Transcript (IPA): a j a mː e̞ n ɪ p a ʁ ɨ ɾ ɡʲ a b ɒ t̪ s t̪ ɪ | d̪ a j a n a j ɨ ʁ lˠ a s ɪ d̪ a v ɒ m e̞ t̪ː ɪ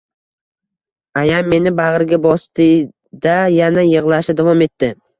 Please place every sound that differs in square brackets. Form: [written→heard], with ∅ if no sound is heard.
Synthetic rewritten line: a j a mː e̞ n ɪ [p→b] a ʁ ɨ ɾ ɡʲ a b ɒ [t̪→∅] s t̪ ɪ | d̪ a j a n a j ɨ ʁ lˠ a [s→ʃ] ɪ d̪ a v ɒ m e̞ t̪ː ɪ